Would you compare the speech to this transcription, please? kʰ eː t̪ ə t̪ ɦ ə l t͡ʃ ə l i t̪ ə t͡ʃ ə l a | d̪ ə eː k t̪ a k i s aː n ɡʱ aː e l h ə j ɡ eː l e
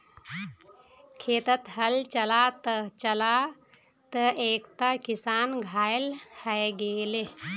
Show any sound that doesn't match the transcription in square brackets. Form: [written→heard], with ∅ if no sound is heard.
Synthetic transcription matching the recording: kʰ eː t̪ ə t̪ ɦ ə l t͡ʃ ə l [i→a] t̪ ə t͡ʃ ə l a | [d̪→t̪] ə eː k t̪ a k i s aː n ɡʱ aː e l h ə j ɡ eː l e